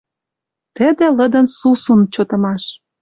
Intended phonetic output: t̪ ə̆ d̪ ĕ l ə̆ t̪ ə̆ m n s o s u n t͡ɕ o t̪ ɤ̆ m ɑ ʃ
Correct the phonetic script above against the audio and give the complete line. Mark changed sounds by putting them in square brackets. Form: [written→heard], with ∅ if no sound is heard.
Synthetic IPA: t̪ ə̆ d̪ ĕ l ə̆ [t̪→d̪] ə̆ [m→∅] n s [o→u] s u n t͡ɕ o t̪ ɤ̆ m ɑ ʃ